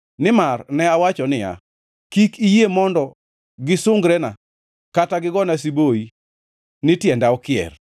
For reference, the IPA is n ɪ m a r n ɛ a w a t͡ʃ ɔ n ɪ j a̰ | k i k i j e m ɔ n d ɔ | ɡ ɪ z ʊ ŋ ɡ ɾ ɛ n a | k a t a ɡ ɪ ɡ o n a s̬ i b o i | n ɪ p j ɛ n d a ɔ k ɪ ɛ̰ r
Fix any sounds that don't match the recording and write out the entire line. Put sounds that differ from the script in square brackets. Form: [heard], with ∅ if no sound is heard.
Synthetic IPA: n ɪ m a r n ɛ a w a t͡ʃ ɔ n ɪ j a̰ | k i k i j e m ɔ n d ɔ | ɡ ɪ [s] ʊ ŋ ɡ ɾ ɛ n a | k a t a ɡ ɪ ɡ [ɔ] n a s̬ i b o i | n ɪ [t] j ɛ n d a ɔ k ɪ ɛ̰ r